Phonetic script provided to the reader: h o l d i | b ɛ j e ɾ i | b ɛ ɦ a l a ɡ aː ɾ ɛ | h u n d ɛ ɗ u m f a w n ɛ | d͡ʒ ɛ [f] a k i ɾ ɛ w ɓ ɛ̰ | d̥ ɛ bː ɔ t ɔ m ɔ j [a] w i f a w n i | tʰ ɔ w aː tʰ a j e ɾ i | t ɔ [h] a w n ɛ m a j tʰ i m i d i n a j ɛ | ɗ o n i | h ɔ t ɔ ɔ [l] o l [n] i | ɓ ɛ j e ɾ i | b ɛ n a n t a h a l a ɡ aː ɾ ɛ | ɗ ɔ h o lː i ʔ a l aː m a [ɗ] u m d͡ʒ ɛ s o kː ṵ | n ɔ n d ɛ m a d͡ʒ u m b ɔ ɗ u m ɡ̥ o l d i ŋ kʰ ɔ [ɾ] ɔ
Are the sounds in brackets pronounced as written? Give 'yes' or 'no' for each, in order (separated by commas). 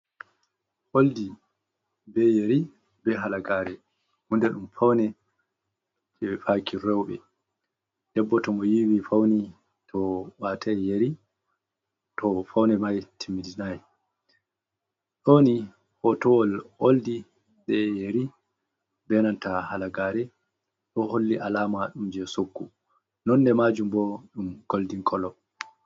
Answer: yes, no, no, yes, no, yes, no